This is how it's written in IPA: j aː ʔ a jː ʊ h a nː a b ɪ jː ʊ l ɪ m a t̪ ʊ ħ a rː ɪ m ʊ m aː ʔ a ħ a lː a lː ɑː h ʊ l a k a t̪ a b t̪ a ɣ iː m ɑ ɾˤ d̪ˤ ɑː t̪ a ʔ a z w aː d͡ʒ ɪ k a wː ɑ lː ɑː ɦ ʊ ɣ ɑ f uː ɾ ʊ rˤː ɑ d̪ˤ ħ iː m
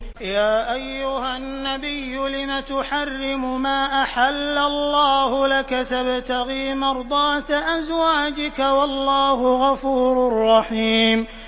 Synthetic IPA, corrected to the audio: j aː ʔ a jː ʊ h a nː a b ɪ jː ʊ l ɪ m a t̪ ʊ ħ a rː ɪ m ʊ m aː ʔ a ħ a lː a lː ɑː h ʊ l a k a t̪ a b t̪ a ɣ iː m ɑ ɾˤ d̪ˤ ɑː t̪ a ʔ a z w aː d͡ʒ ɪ k a w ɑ lː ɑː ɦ ʊ ɣ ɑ f uː ɾ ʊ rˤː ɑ ħ iː m